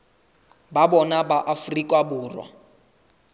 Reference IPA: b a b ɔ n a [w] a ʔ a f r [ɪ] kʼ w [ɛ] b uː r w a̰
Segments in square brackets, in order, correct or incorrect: incorrect, incorrect, incorrect

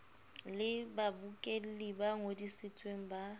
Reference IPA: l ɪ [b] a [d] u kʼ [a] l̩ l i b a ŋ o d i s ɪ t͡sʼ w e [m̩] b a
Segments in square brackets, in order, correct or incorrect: correct, incorrect, incorrect, incorrect

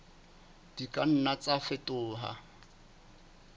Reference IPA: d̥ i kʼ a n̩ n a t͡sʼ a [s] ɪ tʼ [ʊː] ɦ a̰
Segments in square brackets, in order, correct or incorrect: incorrect, correct

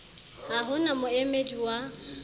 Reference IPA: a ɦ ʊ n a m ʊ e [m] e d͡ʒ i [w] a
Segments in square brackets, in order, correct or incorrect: correct, correct

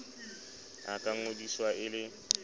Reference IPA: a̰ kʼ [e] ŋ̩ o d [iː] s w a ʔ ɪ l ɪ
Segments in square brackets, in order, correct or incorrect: incorrect, incorrect

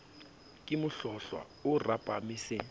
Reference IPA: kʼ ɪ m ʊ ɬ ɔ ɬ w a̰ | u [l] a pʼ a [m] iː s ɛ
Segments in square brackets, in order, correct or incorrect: incorrect, correct

